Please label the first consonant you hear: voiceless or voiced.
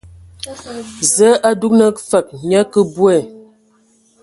voiced